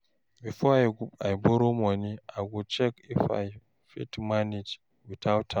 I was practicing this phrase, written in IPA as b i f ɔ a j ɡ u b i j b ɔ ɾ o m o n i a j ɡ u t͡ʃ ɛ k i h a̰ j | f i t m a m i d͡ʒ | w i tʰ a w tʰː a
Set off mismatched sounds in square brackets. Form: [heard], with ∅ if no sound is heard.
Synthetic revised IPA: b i f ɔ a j ɡ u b [a] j b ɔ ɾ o m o n i a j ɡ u t͡ʃ ɛ k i [f] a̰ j | f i t m a [n] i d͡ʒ | w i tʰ a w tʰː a